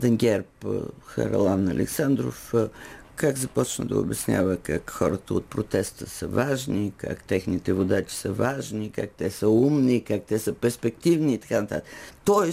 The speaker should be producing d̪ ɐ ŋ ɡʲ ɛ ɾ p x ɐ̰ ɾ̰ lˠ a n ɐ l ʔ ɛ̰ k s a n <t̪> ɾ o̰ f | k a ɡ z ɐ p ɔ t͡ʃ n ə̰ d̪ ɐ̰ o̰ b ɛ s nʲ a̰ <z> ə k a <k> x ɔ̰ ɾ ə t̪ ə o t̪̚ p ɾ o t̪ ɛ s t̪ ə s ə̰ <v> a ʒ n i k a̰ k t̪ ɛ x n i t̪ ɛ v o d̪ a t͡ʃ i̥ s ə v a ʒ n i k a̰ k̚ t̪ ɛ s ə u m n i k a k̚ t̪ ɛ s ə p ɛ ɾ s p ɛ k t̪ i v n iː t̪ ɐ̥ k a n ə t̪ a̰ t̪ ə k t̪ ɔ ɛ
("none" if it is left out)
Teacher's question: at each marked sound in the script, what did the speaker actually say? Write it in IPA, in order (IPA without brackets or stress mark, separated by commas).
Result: d̪, v, k, v